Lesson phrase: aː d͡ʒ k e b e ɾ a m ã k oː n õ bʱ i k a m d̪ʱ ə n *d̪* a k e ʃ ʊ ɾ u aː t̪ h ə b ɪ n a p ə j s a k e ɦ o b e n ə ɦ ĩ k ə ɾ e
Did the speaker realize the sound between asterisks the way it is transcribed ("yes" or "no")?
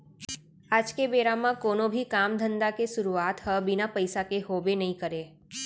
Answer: yes